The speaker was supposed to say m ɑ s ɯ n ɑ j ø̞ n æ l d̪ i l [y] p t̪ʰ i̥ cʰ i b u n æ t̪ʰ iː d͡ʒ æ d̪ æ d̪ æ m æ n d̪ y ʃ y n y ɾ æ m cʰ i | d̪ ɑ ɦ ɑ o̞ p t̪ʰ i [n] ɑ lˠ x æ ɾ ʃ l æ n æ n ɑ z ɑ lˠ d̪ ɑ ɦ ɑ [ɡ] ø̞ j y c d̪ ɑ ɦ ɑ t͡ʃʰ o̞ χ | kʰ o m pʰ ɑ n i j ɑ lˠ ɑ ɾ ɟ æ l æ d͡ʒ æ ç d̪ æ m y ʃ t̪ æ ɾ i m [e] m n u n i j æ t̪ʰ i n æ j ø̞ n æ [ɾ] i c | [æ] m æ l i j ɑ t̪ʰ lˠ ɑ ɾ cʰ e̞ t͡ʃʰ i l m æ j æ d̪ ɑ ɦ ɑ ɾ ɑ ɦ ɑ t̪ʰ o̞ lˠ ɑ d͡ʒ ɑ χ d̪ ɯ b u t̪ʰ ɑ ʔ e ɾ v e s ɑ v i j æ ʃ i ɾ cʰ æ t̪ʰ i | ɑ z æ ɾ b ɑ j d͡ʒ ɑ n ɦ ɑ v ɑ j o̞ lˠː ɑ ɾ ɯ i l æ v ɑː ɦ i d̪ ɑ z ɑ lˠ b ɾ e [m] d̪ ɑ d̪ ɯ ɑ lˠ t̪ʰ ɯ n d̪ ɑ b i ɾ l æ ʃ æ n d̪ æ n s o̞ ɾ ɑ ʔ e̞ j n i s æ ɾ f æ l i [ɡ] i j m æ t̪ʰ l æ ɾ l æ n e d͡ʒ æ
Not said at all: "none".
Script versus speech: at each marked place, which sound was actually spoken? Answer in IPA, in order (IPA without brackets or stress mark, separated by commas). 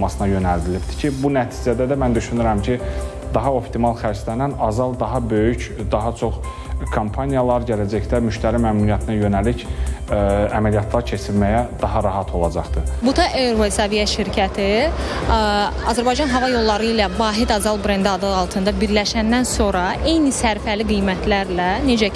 i, m, b, æ, l, æ, n, ɡ